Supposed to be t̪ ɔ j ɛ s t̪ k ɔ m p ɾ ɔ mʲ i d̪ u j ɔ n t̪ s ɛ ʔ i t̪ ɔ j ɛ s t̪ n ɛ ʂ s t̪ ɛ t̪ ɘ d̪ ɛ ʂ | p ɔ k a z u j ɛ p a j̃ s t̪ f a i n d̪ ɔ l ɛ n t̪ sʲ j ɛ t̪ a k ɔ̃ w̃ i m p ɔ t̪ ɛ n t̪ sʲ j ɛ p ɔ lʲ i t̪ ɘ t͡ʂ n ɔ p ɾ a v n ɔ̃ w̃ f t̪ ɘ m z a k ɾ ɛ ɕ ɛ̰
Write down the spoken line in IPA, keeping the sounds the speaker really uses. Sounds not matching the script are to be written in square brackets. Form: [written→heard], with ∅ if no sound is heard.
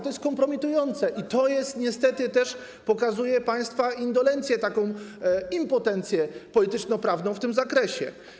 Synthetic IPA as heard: t̪ ɔ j ɛ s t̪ k ɔ m p ɾ ɔ mʲ i [d̪→t̪] u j ɔ n t̪ s ɛ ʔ i t̪ ɔ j ɛ s t̪ [n→ɲ] ɛ [ʂ→∅] s t̪ ɛ t̪ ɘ [d̪→t̪] ɛ ʂ | p ɔ k a z u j ɛ p a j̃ s t̪ f a i n d̪ ɔ l ɛ n t̪ sʲ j ɛ t̪ a k ɔ̃ w̃ i m p ɔ t̪ ɛ n t̪ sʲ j ɛ p ɔ lʲ i t̪ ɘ t͡ʂ n ɔ p ɾ a v n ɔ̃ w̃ f t̪ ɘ m z a k ɾ ɛ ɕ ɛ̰

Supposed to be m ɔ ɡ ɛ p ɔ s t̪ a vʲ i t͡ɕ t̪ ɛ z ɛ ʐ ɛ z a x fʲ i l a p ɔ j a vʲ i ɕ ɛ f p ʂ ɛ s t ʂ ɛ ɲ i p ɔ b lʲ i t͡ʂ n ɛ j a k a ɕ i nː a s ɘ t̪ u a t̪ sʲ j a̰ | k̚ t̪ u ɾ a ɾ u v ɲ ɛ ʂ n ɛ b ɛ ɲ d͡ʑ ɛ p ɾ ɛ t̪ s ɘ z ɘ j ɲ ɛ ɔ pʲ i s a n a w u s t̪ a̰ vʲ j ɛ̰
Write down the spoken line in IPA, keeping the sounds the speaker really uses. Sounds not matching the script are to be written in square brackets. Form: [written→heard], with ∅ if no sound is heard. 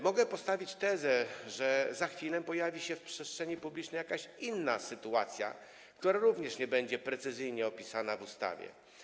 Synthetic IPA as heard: m ɔ ɡ ɛ p ɔ s t̪ a vʲ i t͡ɕ t̪ ɛ z ɛ ʐ ɛ z a x fʲ i l [a→ɛ] p ɔ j a vʲ i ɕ ɛ f p ʂ ɛ s t ʂ ɛ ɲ i p [ɔ→u] b lʲ i t͡ʂ n ɛ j a k a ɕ i nː a s ɘ t̪ u a t̪ sʲ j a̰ | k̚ t̪ u ɾ a ɾ u v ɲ ɛ ʂ [n→ɲ] ɛ b ɛ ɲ d͡ʑ ɛ p ɾ ɛ t̪ s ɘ z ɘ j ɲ ɛ ɔ pʲ i s a n a [w→v] u s t̪ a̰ vʲ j ɛ̰

